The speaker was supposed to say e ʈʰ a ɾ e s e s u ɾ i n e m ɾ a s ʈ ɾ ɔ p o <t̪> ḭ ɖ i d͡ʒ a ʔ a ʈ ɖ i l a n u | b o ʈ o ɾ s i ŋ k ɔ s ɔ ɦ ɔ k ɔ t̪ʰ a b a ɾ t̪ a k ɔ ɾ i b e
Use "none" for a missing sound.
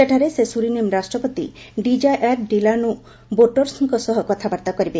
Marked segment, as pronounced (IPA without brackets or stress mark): t̪